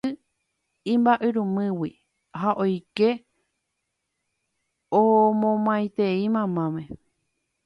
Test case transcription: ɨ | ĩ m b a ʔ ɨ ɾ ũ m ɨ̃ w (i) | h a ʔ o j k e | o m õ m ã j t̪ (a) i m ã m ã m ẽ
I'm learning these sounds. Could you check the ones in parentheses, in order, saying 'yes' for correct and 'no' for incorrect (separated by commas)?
yes, no